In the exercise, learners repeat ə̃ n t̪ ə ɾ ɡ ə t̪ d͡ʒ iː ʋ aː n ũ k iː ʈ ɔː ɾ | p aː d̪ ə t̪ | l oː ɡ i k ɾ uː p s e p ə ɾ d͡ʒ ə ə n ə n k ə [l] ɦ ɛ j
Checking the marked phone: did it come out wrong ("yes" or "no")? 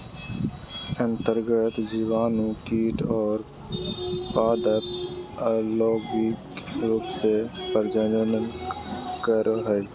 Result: yes